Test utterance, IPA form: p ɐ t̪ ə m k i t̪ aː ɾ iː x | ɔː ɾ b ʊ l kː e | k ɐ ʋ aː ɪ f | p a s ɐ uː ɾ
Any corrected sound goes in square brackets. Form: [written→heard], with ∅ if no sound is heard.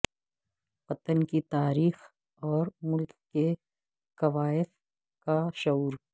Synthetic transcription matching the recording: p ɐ t̪ ə [m→n] k i t̪ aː ɾ iː x | ɔː ɾ [b→m] ʊ l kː e | k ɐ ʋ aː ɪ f | [p→k] a [s→ʃ] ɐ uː ɾ

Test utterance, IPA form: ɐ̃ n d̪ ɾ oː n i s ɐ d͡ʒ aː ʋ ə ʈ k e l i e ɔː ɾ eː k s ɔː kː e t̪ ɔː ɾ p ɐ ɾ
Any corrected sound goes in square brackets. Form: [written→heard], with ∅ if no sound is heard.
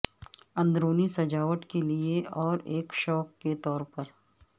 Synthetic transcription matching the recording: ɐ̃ n d̪ ɾ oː n i s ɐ d͡ʒ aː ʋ ə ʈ k e l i e ɔː ɾ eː k [s→ʃ] ɔː kː e t̪ ɔː ɾ p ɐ ɾ

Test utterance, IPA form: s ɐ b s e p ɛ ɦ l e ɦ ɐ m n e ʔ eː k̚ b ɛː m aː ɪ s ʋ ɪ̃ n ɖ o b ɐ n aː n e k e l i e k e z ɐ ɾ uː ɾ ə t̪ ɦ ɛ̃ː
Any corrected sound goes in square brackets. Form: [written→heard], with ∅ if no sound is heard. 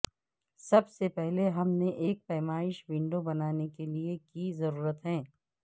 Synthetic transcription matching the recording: s ɐ b s e p ɛ ɦ l e ɦ ɐ m n e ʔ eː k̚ [b→p] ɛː m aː ɪ [s→ʃ] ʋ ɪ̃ [n→ɳ] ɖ o b ɐ n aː n e k e l i e k [e→i] z ɐ ɾ uː ɾ ə t̪ ɦ ɛ̃ː

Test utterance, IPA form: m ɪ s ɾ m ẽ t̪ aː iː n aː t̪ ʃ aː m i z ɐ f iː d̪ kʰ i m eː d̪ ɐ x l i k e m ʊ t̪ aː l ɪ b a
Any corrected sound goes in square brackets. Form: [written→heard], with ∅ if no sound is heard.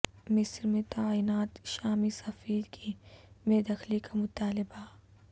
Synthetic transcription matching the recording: m ɪ s ɾ m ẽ t̪ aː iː n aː t̪ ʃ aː m i [z→s] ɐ f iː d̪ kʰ i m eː d̪ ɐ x l i k [e→a] m ʊ t̪ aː l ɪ b a

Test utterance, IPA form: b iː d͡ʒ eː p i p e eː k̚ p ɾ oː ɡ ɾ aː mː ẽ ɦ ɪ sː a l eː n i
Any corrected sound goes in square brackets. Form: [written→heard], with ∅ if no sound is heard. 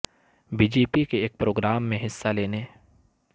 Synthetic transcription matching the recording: b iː d͡ʒ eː p i [p→k] e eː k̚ p ɾ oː ɡ ɾ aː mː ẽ ɦ ɪ sː a l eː n [i→e]

